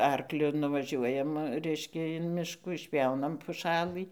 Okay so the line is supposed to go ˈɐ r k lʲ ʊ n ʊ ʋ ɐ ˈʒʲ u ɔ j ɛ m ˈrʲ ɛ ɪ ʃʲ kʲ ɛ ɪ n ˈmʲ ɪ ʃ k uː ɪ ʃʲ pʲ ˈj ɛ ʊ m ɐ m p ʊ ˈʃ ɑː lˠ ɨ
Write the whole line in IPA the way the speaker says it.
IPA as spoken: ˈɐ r k lʲ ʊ n ʊ ʋ ɐ ˈʒʲ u ɔ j ɛ m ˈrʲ ɛ ɪ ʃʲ kʲ ɛ ɪ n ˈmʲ ɪ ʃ k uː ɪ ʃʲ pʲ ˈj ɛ ʊ n ɐ m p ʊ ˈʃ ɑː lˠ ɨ